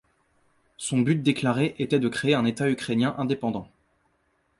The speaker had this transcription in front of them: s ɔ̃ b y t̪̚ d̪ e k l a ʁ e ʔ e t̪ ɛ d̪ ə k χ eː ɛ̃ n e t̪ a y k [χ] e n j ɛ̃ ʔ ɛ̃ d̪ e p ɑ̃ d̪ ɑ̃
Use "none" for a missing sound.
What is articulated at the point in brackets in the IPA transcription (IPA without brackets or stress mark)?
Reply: χ